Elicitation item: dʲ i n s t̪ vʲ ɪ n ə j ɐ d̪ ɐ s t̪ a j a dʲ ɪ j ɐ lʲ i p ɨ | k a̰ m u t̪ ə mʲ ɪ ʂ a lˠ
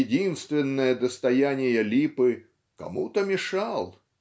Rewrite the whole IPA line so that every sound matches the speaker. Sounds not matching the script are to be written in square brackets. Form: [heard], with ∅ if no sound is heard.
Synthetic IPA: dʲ i n s t̪ vʲ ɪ [nː] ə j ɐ d̪ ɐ s t̪ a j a [nʲ] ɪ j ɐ lʲ i p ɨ | k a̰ m u t̪ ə mʲ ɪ ʂ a lˠ